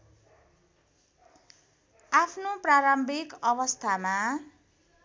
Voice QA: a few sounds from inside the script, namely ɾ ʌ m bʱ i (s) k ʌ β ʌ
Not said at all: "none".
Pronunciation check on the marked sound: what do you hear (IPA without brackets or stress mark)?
none